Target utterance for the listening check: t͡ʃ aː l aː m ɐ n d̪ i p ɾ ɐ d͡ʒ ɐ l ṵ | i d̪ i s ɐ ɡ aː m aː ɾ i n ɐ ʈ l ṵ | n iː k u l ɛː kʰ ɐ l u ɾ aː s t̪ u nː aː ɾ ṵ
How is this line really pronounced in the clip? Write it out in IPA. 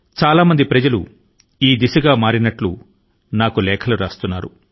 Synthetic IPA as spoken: t͡ʃ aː l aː m ɐ n d̪ i p ɾ ɐ d͡ʒ ɐ l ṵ | iː d̪ i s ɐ ɡ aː m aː ɾ i n ɐ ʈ l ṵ | n aː k u l ɛː kʰ ɐ l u ɾ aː s t̪ u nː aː ɾ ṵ